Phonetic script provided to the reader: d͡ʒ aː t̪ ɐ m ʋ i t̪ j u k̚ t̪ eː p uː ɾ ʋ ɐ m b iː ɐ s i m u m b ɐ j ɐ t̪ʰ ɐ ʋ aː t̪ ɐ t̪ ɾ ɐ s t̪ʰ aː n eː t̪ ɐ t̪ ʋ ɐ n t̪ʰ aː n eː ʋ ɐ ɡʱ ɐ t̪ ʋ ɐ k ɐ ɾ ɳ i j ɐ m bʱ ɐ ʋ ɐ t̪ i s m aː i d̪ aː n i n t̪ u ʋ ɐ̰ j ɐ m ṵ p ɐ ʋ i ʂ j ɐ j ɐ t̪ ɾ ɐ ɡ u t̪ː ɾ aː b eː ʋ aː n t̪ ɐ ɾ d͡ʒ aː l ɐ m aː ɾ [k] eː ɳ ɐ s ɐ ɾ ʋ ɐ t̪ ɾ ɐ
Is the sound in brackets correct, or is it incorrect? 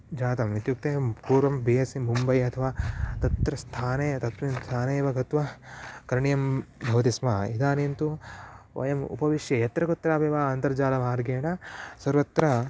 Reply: incorrect